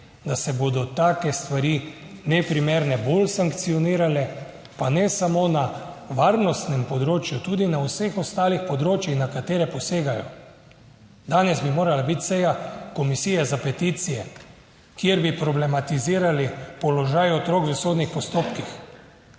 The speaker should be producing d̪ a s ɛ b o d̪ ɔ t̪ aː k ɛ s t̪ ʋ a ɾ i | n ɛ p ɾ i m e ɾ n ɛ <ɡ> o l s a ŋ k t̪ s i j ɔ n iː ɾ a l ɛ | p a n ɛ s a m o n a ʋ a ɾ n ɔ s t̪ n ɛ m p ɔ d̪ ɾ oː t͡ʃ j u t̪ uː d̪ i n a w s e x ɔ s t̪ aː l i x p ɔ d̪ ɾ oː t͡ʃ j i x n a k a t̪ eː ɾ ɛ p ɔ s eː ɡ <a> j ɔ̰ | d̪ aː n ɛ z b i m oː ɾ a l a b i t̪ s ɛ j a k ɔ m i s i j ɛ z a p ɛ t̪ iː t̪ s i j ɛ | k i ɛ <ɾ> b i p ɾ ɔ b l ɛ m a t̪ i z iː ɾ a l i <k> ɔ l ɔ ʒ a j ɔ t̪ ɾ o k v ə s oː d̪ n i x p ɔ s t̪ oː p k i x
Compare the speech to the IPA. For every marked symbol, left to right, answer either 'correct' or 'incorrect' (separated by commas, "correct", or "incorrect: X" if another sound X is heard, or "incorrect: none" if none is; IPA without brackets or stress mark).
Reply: incorrect: b, correct, correct, incorrect: p